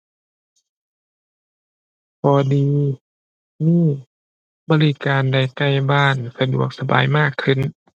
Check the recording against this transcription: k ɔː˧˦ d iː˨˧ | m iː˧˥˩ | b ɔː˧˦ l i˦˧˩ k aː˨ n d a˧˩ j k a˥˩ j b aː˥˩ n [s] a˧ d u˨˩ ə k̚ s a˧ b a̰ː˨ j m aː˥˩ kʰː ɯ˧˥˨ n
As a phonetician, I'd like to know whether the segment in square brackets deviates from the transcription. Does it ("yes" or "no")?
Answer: no